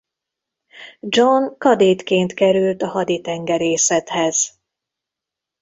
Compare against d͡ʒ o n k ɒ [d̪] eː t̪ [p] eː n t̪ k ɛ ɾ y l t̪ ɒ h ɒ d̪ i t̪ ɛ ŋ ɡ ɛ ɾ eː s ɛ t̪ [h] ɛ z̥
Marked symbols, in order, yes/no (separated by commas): yes, no, yes